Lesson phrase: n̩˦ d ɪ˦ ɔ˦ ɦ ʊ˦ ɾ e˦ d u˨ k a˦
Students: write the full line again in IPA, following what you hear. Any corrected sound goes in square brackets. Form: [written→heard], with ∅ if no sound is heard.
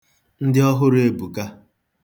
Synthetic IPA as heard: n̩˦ d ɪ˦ ɔ˦ ɦ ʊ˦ ɾ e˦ [d→b] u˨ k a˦